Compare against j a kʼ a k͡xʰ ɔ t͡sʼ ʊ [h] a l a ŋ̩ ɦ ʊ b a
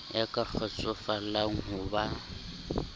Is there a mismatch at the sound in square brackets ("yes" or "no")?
yes